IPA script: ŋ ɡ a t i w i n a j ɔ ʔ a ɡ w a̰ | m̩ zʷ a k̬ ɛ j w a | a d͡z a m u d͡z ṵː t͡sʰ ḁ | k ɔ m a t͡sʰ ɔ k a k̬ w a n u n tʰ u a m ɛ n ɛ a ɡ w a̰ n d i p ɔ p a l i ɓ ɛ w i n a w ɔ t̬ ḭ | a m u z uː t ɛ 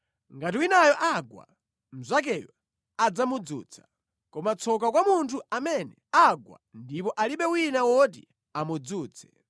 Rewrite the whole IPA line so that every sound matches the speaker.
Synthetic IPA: ŋ ɡ a t i w i n a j ɔ ʔ a ɡ w a̰ | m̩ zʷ a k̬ ɛ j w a | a d͡z a m u d͡z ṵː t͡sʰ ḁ | k ɔ m a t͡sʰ ɔ k a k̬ w a m u n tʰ u a m ɛ n ɛ a ɡ w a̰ n d i p ɔ ʔ a l i ɓ ɛ w i n a w ɔ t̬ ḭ | a m u d͡z uː t͡sʰ ɛ